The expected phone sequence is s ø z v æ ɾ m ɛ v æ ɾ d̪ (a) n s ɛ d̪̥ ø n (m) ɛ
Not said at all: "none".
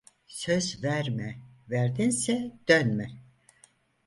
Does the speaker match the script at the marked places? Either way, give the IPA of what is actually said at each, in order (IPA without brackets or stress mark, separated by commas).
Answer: i, m